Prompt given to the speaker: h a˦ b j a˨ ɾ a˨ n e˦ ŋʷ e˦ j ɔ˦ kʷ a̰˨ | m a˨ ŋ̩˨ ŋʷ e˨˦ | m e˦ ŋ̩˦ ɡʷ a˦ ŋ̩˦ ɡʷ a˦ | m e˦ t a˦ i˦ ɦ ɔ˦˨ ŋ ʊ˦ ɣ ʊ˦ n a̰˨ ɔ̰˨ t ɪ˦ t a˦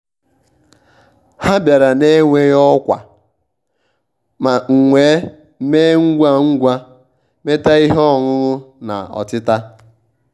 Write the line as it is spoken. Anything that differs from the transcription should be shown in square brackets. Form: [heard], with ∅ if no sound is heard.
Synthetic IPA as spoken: h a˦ b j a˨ ɾ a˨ n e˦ ŋʷ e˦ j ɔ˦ kʷ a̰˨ | m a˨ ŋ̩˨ ŋʷ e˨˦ | m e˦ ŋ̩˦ ɡʷ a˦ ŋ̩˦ ɡʷ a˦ | m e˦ t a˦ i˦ ɦ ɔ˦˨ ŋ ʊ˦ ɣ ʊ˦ n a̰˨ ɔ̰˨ t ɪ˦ t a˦